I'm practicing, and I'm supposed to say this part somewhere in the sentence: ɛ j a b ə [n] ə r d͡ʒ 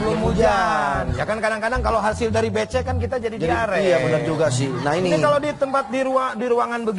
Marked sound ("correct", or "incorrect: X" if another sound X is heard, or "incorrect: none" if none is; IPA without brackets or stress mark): correct